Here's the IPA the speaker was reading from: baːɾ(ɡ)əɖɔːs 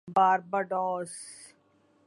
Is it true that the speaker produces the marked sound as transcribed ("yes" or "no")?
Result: no